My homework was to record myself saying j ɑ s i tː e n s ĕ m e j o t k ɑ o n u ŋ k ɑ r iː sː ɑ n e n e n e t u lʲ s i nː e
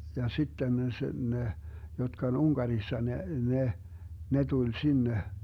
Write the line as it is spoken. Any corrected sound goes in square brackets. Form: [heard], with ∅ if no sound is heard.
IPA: j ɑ s i tː e n s ĕ [n] e j o t k ɑ o n u ŋ k ɑ r [i] sː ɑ n e n e n e t u lʲ s i nː e